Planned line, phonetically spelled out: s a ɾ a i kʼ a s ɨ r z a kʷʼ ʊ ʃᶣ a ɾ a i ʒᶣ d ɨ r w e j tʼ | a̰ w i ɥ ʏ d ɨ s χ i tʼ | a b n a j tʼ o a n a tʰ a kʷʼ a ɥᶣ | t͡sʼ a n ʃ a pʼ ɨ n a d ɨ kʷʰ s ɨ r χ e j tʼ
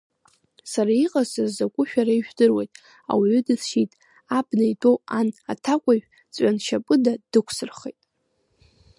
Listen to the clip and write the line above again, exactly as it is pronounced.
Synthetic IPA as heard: s a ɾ a i qʼ a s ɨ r z a kʷʼ ʊ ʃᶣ a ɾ a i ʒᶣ d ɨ r w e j tʼ | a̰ w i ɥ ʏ d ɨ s ʃ i tʼ | a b n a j tʼ o a n a tʰ a kʷʼ a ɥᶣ | t͡sʼ a n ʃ a pʼ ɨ d a d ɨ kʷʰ s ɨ r χ e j tʼ